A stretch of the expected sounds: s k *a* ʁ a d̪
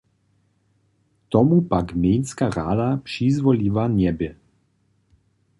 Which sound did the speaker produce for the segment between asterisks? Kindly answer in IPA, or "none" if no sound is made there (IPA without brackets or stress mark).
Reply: a